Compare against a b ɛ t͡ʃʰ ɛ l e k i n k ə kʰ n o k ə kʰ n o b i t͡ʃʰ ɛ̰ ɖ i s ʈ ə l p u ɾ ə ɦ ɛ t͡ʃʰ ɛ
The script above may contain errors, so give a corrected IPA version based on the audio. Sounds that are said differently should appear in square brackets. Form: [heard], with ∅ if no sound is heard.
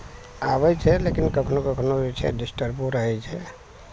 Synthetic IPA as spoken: a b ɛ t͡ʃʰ ɛ l e k i n k ə kʰ n o k ə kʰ n o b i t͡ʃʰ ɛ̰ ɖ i s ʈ ə [ɾ] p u ɾ ə ɦ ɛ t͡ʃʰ ɛ